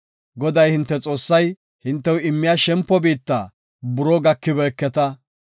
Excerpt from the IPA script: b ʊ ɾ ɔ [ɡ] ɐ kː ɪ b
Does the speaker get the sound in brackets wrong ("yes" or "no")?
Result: no